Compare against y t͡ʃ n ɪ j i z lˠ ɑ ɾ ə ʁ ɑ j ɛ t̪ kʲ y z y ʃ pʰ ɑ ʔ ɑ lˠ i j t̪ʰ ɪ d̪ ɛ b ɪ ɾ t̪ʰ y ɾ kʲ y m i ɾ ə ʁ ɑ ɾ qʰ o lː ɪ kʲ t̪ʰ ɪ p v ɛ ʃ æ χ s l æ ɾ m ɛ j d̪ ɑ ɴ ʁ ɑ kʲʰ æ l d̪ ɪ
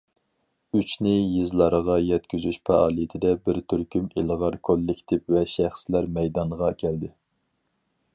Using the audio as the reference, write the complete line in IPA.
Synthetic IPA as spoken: y t͡ʃ n ɪ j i z lˠ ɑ ɾ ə ʁ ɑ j ɛ t̪ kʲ y z y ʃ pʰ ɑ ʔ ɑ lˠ i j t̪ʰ ɪ d̪ ɛ b ɪ ɾ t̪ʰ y ɾ kʲ y m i l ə ʁ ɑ ɾ kʰ o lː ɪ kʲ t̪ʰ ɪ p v ɛ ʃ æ χ s l æ ɾ m ɛ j d̪ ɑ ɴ ʁ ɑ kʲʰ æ l d̪ ɪ